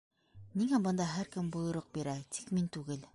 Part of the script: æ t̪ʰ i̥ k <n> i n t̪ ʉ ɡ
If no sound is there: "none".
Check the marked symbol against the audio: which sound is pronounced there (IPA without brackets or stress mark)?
m